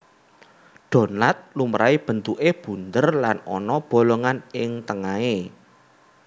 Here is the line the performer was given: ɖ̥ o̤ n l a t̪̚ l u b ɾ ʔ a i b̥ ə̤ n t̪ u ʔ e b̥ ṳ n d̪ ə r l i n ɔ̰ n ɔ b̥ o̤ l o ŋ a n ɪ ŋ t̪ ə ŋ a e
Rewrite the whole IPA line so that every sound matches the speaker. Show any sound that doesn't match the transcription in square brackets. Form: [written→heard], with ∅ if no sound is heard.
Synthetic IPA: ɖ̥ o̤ n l a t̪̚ l u [b→m] ɾ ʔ a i b̥ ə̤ n t̪ u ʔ e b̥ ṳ n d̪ ə r l [i→a] n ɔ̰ n ɔ b̥ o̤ l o ŋ a n ɪ ŋ t̪ ə ŋ a e